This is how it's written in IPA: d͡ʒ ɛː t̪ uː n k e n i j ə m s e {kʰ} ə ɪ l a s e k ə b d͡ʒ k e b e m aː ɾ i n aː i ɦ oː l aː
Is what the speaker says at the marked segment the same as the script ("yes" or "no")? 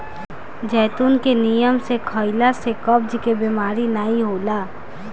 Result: yes